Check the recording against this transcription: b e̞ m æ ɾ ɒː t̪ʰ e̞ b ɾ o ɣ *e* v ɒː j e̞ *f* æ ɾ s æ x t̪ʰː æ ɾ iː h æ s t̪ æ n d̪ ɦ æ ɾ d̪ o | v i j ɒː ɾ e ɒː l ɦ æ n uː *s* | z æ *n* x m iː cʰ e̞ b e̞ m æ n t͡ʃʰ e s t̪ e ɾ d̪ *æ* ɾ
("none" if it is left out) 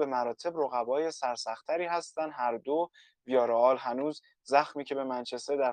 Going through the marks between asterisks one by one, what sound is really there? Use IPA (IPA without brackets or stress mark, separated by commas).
æ, s, z, none, æ